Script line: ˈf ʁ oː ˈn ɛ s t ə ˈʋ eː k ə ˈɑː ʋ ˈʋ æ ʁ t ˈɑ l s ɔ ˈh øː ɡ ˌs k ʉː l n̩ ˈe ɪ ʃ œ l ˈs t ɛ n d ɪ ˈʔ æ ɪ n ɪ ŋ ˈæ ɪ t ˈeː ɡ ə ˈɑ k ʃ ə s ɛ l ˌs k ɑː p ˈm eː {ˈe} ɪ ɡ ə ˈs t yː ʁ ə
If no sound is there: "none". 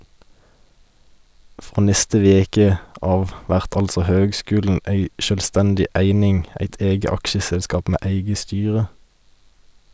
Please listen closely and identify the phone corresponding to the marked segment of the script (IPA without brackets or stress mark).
æ